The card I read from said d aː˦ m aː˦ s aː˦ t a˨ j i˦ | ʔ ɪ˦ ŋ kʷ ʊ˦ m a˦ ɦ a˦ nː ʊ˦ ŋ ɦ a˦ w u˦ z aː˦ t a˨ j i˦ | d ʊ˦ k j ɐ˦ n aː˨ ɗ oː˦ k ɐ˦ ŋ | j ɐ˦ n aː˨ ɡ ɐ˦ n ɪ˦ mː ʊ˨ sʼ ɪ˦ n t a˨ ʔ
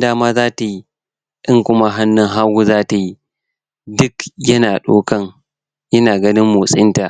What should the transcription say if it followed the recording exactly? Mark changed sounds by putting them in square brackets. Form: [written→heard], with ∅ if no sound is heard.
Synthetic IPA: d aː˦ m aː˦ [s→z] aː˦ t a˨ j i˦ | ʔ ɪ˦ ŋ kʷ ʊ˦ m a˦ ɦ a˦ nː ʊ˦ ŋ ɦ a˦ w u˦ z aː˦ t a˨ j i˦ | d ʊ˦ k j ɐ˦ n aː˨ ɗ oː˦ k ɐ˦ ŋ | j ɐ˦ n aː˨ ɡ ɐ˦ n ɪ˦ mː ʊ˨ sʼ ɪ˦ n t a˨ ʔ